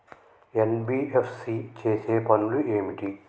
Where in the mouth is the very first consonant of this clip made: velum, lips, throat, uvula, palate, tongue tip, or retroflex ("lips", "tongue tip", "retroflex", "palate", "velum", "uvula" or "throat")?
tongue tip